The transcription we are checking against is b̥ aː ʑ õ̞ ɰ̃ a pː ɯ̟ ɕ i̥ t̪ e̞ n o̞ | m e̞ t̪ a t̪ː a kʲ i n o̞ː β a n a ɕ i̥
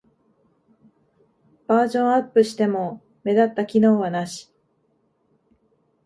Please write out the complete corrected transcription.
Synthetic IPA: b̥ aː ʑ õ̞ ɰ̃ a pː ɯ̟ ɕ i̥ t̪ e̞ m o̞ | m e̞ d̪ a t̪ː a kʲ i n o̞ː β a n a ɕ i̥